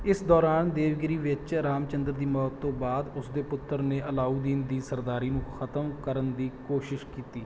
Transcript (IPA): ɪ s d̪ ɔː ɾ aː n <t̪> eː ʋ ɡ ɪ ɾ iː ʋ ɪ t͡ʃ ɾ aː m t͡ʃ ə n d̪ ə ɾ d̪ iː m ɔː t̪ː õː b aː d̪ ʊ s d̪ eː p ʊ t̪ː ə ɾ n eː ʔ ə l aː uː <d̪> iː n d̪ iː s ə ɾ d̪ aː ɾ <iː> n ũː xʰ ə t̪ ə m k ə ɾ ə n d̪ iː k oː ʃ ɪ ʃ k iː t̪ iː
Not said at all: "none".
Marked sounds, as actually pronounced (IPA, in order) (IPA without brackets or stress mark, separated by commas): d̪, d̪, iː